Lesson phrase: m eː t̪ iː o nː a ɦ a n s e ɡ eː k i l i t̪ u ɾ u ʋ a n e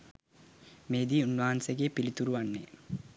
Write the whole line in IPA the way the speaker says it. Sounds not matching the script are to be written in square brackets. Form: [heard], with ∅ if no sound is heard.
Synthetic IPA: m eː [d̪] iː [u] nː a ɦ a n s e ɡ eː [p] i l i t̪ u ɾ u ʋ a [nː] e

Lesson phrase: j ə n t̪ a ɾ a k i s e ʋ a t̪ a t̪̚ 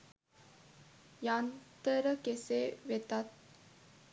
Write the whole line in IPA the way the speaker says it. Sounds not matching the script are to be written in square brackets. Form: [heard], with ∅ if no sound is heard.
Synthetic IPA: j [a] n t̪ [ə] ɾ [ə] k [e] s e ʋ [e] t̪ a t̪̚

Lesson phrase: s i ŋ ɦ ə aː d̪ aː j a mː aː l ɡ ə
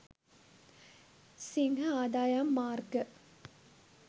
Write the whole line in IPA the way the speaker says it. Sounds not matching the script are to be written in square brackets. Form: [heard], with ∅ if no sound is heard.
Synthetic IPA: s i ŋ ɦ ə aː d̪ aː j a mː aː [r] ɡ ə

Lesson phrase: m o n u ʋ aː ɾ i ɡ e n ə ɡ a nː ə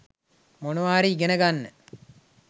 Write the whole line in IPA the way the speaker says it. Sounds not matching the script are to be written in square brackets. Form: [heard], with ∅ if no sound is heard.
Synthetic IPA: m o n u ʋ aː ɾ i ɡ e n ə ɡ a nː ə

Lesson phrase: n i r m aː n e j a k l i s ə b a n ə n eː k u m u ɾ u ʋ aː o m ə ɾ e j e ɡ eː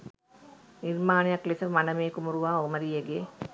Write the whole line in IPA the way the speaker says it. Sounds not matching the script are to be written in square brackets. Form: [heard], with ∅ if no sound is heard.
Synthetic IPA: n i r m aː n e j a k l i s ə [m] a n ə [m] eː k u m u ɾ u ʋ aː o m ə ɾ [i] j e ɡ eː

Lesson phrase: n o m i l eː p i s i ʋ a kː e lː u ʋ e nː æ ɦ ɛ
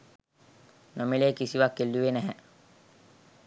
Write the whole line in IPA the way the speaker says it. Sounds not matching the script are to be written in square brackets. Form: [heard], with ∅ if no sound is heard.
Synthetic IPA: n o m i l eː [k] i s i ʋ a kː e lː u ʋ e [n] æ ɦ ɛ

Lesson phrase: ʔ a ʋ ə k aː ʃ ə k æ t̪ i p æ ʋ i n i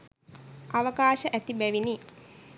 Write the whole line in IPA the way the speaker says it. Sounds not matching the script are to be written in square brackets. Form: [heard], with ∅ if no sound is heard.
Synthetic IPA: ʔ a ʋ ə k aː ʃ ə [ʔ] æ t̪ i [b] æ ʋ i n i

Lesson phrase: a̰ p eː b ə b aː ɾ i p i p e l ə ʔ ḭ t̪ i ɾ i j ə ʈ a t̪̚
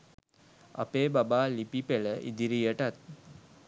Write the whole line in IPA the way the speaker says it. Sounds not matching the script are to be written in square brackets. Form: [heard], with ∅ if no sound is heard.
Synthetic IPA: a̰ p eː b [a] b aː [l] i p i p e l ə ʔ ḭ [d̪] i ɾ i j ə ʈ a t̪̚

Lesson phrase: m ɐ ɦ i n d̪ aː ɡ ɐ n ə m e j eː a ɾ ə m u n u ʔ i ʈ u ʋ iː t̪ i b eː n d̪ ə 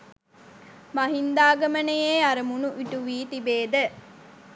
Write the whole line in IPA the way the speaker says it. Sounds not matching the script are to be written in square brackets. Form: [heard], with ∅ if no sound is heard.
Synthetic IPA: m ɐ ɦ i n d̪ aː ɡ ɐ [m] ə [n] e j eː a ɾ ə m u n u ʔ i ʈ u ʋ iː t̪ i b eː [∅] d̪ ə

